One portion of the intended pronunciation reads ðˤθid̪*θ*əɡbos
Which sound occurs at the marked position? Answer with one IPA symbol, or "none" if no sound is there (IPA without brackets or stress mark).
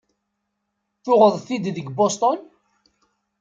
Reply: ð